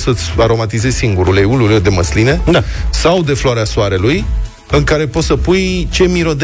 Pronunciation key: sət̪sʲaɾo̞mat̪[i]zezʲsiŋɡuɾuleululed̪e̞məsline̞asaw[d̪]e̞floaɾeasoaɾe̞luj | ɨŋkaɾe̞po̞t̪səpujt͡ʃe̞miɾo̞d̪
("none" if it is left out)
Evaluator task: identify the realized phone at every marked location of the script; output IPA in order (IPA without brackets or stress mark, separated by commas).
i, d̪